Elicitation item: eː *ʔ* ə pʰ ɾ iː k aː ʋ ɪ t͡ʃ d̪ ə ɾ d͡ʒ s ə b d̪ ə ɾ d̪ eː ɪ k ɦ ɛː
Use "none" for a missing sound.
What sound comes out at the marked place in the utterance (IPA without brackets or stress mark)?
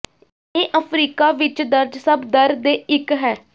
ʔ